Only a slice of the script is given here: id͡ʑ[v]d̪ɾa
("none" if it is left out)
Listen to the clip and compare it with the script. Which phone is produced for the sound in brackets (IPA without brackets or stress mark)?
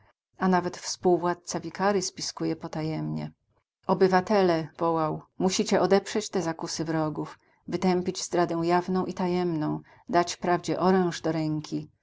z